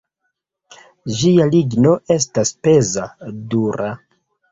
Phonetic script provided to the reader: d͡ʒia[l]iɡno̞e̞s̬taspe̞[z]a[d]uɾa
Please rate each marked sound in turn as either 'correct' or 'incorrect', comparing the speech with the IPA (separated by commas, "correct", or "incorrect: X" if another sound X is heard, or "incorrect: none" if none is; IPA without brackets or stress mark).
correct, correct, correct